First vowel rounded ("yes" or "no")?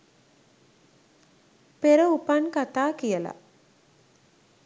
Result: no